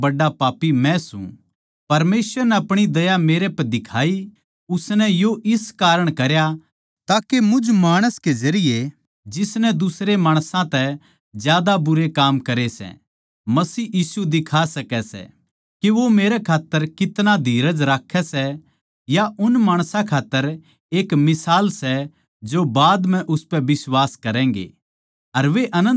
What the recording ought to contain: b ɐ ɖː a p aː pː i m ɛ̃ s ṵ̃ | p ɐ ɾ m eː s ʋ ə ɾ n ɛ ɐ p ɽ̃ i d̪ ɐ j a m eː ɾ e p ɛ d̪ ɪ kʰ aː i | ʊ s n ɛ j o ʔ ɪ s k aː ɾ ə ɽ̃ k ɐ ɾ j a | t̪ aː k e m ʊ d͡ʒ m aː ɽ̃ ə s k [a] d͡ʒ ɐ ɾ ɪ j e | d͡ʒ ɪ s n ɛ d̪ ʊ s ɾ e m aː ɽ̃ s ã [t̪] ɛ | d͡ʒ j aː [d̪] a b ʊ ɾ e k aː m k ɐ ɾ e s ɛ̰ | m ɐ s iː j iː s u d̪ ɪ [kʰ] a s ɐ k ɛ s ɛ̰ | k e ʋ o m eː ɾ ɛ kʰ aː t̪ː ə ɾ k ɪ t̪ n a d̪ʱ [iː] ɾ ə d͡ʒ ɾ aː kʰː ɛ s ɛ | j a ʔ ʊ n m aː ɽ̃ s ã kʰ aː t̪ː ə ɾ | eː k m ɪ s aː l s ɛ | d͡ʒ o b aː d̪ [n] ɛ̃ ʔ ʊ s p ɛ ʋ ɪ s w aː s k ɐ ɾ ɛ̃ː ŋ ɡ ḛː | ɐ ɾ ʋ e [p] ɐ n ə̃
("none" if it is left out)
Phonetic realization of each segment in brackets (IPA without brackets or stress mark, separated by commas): e, t̪, d̪, kʰ, iː, m, ʔ